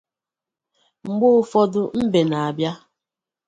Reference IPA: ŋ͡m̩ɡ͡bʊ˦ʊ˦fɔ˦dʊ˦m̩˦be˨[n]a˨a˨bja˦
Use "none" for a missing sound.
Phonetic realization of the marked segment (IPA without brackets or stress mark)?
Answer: n